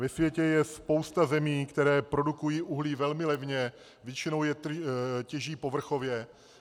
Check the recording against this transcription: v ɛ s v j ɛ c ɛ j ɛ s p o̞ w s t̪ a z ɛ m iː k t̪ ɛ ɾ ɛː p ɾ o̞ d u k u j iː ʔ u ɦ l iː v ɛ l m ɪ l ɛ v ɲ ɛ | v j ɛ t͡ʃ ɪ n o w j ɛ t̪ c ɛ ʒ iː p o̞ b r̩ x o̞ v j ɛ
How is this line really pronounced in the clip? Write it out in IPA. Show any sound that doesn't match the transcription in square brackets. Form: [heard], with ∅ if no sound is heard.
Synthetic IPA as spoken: v ɛ s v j ɛ c ɛ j ɛ s p o̞ w s t̪ a z ɛ m iː k t̪ ɛ ɾ ɛː p ɾ o̞ d u k u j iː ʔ u ɦ l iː v ɛ l m ɪ l ɛ v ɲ ɛ | v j ɛ t͡ʃ ɪ n o w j ɛ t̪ c ɛ ʒ iː p o̞ [v] r̩ x o̞ v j ɛ